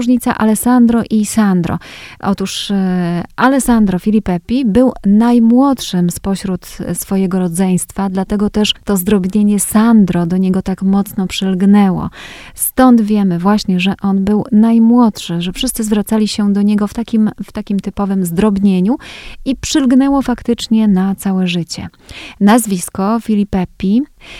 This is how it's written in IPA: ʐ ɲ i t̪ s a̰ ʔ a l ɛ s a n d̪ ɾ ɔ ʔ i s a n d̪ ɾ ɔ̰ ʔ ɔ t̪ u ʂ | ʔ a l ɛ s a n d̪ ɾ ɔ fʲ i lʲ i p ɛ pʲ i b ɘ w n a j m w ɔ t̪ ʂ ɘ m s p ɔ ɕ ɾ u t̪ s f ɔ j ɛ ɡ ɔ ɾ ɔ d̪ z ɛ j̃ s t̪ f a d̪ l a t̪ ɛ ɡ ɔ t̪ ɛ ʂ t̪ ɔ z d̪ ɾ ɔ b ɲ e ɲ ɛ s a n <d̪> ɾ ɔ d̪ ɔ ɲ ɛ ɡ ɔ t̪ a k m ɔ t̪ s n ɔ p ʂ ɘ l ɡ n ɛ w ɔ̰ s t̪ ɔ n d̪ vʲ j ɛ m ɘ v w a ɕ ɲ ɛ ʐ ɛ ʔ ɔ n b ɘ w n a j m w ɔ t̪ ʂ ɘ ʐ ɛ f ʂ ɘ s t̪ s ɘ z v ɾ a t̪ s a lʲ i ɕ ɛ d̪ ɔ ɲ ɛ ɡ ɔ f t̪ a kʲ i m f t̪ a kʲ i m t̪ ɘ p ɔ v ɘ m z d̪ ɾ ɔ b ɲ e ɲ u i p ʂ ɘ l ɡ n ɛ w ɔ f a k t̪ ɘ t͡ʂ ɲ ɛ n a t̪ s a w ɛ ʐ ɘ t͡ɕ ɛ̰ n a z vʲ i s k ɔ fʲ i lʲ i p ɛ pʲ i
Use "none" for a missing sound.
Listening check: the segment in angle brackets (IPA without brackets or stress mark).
d̪